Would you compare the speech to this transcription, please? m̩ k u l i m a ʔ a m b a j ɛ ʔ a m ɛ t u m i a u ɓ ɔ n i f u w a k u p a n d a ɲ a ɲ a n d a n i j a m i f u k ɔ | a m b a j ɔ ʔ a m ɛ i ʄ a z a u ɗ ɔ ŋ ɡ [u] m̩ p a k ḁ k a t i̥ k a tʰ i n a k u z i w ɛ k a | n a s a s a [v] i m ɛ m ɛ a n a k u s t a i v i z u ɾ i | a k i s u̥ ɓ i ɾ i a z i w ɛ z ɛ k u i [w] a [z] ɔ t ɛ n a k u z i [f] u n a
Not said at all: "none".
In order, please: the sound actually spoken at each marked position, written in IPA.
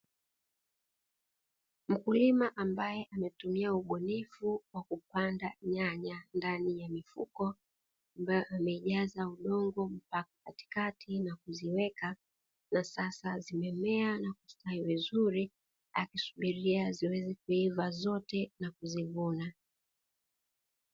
ɔ, z, v, z, v

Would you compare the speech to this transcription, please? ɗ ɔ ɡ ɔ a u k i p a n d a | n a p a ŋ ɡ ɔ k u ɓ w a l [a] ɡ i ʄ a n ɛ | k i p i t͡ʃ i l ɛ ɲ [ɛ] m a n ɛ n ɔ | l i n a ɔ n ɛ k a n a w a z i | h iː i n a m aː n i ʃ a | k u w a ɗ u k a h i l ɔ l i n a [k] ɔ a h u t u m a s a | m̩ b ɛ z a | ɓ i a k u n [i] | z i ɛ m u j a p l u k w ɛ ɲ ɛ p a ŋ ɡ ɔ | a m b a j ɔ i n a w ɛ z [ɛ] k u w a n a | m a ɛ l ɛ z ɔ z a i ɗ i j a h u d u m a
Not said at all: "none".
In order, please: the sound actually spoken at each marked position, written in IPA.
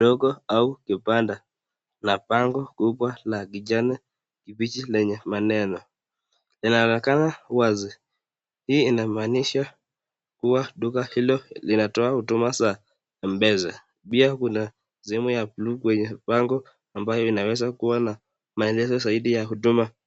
a, ɛ, t, a, a

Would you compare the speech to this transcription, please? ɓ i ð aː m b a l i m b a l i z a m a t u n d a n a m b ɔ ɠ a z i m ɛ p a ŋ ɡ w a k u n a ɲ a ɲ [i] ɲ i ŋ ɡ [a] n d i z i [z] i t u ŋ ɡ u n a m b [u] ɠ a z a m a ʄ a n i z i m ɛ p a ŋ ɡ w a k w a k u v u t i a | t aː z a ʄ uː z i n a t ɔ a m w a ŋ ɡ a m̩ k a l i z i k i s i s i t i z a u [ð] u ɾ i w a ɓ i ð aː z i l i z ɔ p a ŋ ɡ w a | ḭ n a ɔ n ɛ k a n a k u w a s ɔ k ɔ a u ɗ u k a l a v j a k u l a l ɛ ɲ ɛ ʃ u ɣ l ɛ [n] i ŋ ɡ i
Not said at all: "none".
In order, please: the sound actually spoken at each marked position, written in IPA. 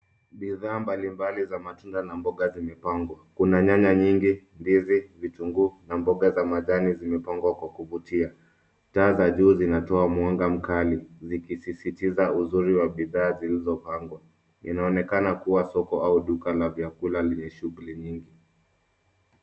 a, i, v, ɔ, z, ɲ

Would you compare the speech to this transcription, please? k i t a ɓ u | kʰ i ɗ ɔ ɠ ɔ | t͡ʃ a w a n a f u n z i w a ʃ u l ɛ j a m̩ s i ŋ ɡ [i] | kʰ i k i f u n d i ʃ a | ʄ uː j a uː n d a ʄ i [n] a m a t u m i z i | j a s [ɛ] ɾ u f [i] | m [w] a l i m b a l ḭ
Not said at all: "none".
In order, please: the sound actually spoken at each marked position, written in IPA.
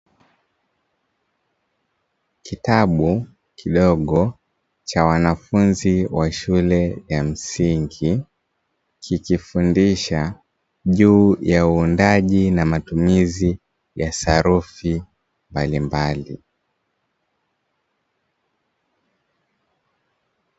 i, n, a, i, b

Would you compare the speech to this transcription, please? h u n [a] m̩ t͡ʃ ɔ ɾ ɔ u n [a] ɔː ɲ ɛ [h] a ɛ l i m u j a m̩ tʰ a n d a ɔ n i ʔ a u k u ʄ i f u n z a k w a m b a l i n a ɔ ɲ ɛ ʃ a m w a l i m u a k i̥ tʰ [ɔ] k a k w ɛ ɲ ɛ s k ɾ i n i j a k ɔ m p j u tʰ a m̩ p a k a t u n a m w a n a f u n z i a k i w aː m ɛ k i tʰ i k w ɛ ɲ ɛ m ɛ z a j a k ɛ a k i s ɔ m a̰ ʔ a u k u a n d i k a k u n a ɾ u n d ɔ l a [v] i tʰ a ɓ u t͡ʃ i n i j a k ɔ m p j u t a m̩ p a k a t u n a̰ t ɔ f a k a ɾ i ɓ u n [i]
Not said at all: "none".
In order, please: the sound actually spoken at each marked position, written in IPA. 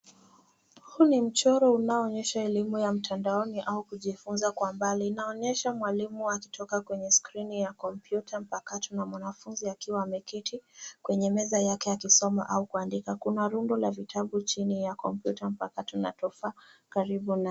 i, a, ʃ, ɔ, v, a

